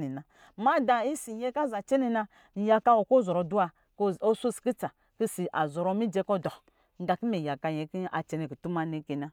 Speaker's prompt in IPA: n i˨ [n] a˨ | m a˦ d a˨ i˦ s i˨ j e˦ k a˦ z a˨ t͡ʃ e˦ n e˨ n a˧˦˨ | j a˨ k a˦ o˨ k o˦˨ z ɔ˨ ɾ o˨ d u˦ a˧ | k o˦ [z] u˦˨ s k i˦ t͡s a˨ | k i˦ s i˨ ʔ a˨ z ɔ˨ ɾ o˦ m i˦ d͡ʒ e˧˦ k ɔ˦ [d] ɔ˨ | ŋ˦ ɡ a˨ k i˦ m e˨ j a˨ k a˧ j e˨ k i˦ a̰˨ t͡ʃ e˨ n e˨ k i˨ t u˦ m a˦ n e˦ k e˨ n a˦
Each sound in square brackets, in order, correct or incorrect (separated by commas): correct, incorrect, correct